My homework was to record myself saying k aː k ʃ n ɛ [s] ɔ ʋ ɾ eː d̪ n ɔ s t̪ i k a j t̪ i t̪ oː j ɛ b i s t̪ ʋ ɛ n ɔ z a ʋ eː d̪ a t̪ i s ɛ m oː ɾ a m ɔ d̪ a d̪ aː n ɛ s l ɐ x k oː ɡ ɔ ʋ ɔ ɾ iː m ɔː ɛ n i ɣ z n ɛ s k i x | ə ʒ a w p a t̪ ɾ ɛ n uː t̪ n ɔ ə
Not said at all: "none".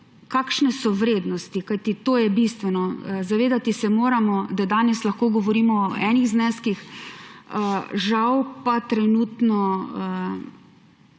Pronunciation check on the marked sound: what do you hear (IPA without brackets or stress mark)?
s